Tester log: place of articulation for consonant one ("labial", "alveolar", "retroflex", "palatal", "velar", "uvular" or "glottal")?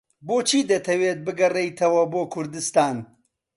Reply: labial